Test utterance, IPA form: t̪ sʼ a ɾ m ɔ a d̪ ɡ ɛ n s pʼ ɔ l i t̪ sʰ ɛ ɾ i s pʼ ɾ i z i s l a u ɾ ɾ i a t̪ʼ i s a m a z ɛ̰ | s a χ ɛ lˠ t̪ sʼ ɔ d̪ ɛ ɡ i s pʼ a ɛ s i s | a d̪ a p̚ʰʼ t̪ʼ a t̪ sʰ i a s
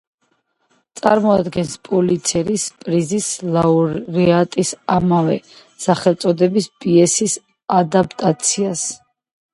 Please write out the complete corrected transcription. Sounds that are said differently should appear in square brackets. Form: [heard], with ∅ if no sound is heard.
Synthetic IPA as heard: t̪ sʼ a ɾ m ɔ a d̪ ɡ ɛ n s pʼ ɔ l i t̪ sʰ ɛ ɾ i s pʼ ɾ i z i s l a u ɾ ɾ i a t̪ʼ i s a m a [v] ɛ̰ | s a χ ɛ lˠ t̪ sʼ ɔ d̪ ɛ [b] i s pʼ [i] ɛ s i s | a d̪ a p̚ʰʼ t̪ʼ a t̪ sʰ i a s